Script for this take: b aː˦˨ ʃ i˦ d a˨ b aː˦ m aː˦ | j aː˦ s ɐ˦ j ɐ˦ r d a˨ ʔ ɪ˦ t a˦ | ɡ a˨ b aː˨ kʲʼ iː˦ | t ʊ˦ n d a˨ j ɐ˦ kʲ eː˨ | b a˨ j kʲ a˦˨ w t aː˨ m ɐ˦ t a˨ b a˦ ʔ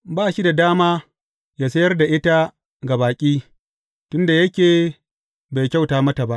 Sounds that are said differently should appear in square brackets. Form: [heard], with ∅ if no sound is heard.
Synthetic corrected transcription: b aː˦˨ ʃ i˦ d a˨ [d] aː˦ m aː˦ | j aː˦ s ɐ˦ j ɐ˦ r d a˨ ʔ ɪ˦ t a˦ | ɡ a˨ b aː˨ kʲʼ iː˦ | t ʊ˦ n d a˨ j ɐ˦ kʲ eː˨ | b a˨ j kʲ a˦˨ w t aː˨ m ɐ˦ t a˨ b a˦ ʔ